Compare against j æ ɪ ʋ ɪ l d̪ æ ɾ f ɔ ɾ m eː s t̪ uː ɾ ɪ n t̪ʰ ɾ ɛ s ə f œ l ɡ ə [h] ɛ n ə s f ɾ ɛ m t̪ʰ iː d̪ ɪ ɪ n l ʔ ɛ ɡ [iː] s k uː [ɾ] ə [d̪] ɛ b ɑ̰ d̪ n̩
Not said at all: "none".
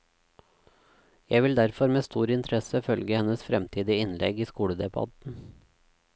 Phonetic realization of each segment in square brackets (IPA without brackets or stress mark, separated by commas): h, iː, ɽ, d̪